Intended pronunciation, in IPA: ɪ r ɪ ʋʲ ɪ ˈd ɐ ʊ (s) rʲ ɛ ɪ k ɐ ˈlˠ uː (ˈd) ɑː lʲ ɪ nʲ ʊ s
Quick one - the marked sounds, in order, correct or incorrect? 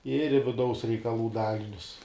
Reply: correct, correct

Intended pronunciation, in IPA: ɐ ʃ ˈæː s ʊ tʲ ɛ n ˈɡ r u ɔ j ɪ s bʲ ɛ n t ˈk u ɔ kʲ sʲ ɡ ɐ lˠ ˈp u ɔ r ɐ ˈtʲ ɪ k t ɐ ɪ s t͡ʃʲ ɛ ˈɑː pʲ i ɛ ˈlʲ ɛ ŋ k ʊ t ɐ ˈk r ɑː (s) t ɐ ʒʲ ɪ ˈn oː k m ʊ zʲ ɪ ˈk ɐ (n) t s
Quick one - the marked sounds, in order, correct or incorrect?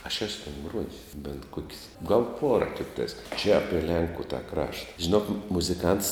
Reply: incorrect, correct

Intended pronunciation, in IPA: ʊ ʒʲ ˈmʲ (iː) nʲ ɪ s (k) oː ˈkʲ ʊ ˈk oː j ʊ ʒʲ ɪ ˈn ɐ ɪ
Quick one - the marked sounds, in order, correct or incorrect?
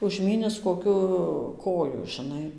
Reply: correct, correct

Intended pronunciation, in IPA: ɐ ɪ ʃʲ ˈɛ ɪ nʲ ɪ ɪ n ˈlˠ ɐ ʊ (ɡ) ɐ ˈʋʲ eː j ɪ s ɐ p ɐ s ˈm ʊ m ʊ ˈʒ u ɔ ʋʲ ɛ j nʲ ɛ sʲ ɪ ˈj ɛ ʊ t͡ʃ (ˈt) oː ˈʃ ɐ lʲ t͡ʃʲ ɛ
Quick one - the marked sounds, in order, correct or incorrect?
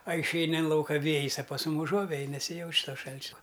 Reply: incorrect, correct

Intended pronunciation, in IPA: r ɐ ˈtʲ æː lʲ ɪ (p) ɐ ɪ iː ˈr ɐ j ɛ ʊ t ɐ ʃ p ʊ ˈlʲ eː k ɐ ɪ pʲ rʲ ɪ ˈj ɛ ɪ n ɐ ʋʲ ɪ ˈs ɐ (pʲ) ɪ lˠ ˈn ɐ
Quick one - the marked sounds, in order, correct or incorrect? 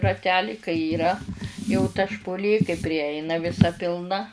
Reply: incorrect, correct

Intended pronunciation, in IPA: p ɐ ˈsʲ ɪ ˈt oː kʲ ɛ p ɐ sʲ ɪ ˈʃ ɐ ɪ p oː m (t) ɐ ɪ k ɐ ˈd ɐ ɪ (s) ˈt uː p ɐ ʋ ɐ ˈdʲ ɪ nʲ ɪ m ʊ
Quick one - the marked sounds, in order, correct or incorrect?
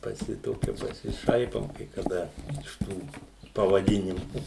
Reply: incorrect, incorrect

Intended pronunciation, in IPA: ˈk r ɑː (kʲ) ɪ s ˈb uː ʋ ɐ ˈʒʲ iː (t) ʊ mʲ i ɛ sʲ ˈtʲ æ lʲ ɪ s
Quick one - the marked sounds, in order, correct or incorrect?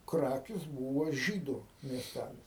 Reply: correct, incorrect

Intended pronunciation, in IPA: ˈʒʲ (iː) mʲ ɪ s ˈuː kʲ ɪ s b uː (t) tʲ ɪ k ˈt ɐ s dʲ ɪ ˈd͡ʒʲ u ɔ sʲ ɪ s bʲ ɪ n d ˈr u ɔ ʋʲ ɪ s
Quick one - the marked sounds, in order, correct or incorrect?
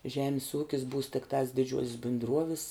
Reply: incorrect, incorrect

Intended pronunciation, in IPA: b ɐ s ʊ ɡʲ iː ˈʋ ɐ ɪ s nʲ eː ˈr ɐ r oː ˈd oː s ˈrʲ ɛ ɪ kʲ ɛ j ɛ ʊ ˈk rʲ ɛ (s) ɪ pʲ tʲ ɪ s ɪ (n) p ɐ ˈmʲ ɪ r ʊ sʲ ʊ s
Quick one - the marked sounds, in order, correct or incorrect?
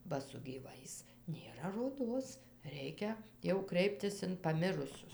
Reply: incorrect, correct

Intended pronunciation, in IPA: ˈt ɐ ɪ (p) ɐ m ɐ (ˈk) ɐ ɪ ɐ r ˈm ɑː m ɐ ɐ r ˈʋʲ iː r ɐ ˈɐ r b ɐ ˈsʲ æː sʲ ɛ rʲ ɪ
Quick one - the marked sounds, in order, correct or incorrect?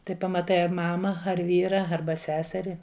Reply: correct, incorrect

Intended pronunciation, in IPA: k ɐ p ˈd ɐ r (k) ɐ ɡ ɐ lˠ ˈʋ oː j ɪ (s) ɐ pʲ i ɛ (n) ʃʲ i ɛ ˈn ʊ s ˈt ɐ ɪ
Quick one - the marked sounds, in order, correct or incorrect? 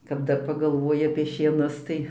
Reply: incorrect, incorrect, incorrect

